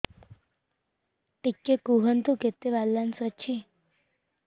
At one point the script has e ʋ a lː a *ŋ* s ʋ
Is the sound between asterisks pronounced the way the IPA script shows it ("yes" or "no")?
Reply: no